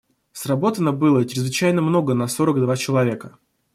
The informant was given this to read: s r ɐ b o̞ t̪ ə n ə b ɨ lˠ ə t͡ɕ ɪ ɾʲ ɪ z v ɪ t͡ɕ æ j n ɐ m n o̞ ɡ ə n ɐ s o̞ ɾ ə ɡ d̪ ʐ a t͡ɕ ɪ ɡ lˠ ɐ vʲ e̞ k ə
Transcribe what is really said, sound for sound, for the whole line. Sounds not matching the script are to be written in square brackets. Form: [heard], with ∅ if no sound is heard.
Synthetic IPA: s r ɐ b o̞ t̪ ə n ə b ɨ lˠ ə t͡ɕ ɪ ɾʲ ɪ z v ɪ t͡ɕ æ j n [ə] m n o̞ ɡ ə n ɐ s o̞ ɾ ə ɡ d̪ [v] a t͡ɕ ɪ [∅] lˠ ɐ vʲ e̞ k ə